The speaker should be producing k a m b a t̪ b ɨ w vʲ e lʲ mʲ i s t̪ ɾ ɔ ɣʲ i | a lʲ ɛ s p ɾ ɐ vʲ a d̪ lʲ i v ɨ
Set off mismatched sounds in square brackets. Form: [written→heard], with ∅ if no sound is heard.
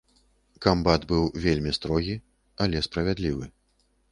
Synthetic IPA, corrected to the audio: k a m b a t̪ b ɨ w vʲ e lʲ mʲ i s t̪ ɾ ɔ ɣʲ i | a lʲ ɛ s p ɾ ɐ vʲ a d̪ lʲ i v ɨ